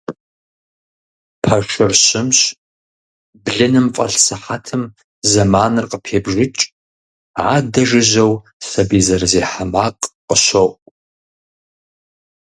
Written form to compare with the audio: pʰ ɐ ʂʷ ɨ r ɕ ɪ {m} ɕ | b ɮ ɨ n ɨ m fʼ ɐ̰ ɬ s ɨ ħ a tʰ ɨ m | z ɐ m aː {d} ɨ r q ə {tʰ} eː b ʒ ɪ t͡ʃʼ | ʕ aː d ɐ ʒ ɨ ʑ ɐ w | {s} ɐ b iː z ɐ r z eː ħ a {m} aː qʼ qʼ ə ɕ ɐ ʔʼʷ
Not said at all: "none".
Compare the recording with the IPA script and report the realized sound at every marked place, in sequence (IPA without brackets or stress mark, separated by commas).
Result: m, n, pʰ, s, m